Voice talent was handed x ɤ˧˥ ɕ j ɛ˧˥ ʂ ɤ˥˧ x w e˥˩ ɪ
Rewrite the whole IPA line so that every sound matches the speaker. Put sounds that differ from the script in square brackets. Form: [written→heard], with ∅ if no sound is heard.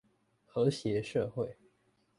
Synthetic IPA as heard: x ɤ˧˥ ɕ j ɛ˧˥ ʂ ɤ˥˧ x w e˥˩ ɪ